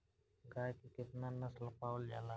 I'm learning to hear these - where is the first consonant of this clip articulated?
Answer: velum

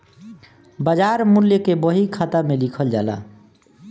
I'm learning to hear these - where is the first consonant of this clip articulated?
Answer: lips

